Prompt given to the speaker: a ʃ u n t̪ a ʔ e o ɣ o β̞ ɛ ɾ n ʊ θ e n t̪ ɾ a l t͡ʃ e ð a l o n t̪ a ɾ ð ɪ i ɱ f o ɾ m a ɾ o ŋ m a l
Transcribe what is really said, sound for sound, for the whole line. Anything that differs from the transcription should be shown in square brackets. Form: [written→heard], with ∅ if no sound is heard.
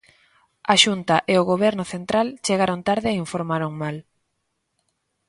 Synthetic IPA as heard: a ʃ u n t̪ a ʔ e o ɣ o β̞ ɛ ɾ n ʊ θ e n t̪ ɾ a l t͡ʃ e [ð→ɣ] a [l→ɾ] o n t̪ a ɾ ð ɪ i ɱ f o ɾ m a ɾ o ŋ m a l